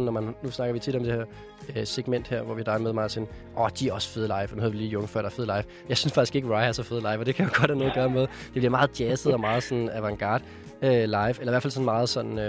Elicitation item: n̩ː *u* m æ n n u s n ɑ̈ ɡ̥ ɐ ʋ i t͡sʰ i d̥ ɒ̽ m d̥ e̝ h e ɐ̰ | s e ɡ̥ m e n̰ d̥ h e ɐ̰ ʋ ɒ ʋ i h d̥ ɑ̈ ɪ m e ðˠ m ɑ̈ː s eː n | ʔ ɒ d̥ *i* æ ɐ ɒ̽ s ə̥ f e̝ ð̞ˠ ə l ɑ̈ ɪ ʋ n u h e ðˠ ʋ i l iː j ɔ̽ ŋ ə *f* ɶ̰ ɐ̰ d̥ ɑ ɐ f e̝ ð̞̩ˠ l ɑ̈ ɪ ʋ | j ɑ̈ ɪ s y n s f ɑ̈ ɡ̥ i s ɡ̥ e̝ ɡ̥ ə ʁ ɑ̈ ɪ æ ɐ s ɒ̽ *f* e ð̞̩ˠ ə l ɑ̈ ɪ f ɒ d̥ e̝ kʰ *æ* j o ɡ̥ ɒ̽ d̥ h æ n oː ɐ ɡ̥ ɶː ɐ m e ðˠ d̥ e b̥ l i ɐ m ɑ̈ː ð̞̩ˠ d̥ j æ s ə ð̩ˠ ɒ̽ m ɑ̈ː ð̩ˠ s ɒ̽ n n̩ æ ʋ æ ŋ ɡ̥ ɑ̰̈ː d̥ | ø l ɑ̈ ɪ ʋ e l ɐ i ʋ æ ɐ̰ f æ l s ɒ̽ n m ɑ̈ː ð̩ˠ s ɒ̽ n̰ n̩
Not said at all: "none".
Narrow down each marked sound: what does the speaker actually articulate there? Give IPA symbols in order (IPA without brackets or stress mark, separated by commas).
ɒ, i, f, f, æ